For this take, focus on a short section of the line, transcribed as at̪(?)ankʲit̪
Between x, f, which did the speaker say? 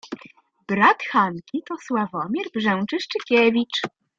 x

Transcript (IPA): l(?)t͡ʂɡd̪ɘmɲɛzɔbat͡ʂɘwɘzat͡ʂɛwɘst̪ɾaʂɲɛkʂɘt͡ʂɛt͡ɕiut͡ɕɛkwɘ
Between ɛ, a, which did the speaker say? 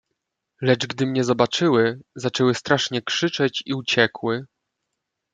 ɛ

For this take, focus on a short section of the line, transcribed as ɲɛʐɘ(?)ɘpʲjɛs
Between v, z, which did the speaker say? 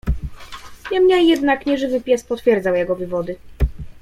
v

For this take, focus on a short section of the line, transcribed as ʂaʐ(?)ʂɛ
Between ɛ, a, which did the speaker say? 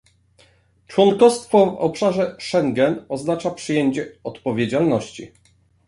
ɛ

